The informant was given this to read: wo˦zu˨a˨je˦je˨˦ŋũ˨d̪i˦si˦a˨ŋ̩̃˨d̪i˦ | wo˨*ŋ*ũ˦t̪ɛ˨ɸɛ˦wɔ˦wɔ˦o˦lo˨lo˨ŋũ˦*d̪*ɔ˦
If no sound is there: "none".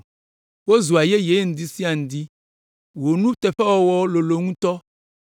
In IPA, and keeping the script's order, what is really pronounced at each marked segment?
n, t̪

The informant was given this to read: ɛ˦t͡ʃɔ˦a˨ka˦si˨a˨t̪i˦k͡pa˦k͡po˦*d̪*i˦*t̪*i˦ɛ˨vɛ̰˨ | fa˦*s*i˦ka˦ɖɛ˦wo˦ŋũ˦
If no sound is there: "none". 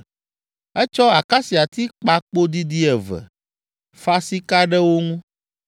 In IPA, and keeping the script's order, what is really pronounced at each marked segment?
d̪, d̪, s

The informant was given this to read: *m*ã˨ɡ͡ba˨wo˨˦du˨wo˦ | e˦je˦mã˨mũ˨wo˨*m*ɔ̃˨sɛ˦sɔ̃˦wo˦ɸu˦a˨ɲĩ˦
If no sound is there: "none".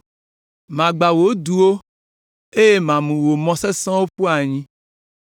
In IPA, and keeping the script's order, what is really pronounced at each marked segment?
m, m

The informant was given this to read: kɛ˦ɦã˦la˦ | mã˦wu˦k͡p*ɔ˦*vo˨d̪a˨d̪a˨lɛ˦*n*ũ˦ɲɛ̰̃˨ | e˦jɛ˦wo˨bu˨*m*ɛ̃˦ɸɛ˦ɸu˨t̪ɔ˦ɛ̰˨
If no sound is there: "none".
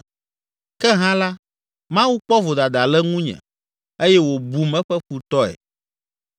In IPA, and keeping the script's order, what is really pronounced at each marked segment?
ɔ˦, ŋ, m

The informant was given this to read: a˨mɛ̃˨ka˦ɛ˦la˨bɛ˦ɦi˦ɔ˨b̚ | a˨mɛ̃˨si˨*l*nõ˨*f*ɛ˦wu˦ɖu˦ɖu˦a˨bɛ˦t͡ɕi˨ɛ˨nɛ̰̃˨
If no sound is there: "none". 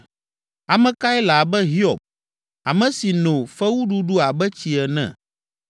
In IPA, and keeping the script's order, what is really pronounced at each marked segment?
none, f

